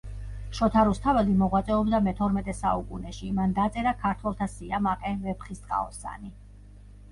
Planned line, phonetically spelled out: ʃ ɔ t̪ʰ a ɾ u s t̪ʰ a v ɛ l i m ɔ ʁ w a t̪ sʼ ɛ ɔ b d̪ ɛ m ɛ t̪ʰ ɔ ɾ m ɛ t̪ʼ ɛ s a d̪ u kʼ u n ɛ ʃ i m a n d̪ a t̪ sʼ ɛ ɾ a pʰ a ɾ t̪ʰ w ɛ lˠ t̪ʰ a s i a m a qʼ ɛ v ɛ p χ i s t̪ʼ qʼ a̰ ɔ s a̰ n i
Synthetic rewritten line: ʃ ɔ t̪ʰ a ɾ u s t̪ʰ a v ɛ l i m ɔ ʁ w a t̪ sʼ ɛ ɔ b d̪ a m ɛ t̪ʰ ɔ ɾ m ɛ t̪ʼ ɛ s a u kʼ u n ɛ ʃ i m a n d̪ a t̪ sʼ ɛ ɾ a kʰ a ɾ t̪ʰ w ɛ lˠ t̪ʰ a s i a m a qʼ ɛ v ɛ p χ i s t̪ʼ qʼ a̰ ɔ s a̰ n i